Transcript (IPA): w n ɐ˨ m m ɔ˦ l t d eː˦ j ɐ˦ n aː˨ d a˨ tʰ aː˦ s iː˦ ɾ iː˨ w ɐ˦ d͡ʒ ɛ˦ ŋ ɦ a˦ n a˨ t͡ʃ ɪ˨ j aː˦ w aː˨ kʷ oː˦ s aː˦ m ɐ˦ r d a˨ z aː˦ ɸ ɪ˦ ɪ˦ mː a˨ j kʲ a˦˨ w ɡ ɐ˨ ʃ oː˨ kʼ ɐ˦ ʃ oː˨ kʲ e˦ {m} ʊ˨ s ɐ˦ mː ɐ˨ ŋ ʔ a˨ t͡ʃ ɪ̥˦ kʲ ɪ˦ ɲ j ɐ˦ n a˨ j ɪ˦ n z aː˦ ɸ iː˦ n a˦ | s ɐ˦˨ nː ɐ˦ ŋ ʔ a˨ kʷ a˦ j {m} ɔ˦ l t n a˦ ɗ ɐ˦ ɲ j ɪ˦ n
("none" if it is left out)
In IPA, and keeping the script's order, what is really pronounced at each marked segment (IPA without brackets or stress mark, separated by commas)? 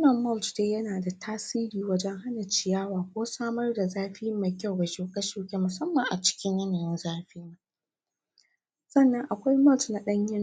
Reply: m, m